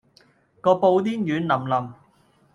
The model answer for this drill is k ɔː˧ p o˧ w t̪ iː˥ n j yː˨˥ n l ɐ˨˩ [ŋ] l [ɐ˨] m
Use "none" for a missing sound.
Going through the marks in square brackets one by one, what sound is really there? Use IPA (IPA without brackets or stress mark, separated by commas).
m, ɐ˨